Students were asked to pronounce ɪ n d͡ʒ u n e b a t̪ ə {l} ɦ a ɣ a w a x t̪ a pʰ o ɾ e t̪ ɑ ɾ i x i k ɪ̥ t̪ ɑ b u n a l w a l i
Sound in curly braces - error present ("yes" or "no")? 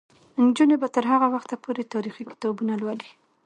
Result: yes